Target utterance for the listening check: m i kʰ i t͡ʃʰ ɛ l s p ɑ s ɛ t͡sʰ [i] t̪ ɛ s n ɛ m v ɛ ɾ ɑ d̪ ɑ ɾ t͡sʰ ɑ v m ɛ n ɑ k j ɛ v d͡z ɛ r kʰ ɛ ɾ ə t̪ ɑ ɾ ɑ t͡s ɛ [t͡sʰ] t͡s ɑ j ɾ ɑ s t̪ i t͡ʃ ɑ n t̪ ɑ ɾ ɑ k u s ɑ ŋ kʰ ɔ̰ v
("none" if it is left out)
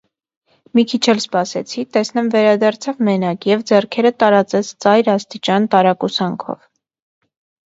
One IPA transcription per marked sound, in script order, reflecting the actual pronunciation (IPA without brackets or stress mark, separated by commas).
i, t͡sʰ